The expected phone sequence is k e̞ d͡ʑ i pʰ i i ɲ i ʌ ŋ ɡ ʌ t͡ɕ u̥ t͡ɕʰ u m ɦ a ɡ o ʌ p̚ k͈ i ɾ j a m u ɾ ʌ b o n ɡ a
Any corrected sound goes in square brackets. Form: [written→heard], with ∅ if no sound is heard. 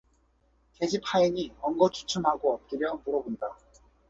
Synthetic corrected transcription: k e̞ d͡ʑ i pʰ [i→a] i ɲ i ʌ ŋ ɡ ʌ [t͡ɕ→t͡ɕʰ] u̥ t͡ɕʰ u m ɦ a ɡ o ʌ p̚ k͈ i ɾ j [a→ʌ] m u ɾ ʌ b o n [ɡ→d] a